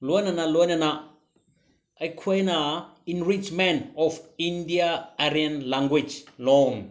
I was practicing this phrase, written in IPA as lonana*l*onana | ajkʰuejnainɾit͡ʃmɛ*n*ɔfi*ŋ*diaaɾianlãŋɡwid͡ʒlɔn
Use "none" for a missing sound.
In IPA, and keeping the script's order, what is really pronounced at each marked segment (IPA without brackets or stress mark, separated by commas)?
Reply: l, n, n